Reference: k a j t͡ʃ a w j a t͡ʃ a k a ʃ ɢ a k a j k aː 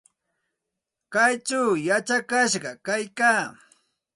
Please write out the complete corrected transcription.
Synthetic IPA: k a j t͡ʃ a w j a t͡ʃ a k a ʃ ɢ ɑ k a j k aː